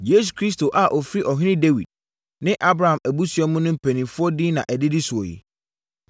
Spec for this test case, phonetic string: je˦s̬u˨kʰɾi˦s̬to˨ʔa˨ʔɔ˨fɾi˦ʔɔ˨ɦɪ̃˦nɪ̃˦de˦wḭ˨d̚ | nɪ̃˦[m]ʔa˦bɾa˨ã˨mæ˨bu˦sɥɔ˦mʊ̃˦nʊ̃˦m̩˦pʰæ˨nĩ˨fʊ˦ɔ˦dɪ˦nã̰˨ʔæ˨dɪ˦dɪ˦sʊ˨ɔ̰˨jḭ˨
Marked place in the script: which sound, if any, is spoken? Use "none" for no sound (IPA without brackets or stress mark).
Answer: none